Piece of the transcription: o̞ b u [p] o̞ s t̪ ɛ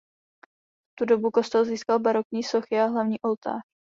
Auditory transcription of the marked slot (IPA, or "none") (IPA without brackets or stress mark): k